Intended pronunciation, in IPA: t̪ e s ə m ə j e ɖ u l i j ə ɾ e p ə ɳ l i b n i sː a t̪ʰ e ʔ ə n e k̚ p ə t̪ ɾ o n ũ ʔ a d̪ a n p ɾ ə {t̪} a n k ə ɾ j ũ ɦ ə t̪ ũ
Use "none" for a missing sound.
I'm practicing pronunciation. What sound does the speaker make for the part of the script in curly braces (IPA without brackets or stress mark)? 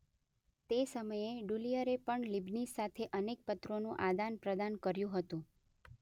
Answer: d̪